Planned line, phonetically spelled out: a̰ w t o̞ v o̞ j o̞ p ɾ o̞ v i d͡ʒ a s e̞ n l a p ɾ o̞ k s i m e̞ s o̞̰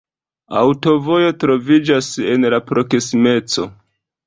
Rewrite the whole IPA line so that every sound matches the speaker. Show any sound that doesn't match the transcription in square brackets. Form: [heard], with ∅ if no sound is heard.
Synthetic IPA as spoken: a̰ w t o̞ v o̞ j o̞ [t] ɾ o̞ v i d͡ʒ a s e̞ n l a p ɾ o̞ k s i m e̞ [t͡s] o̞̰